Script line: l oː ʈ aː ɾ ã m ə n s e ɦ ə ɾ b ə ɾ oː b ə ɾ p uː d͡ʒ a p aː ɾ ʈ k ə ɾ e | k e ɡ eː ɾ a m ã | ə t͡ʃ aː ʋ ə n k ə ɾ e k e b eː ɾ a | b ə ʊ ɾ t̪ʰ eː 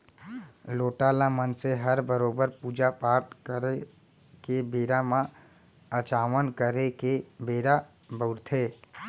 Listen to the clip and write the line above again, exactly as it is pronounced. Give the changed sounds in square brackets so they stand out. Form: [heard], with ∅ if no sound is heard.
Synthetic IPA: l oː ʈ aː [l] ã m ə n s e ɦ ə ɾ b ə ɾ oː b ə ɾ p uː d͡ʒ a p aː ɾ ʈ k ə ɾ e | k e [b] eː ɾ a m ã | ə t͡ʃ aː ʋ ə n k ə ɾ e k e b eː ɾ a | b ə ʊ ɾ t̪ʰ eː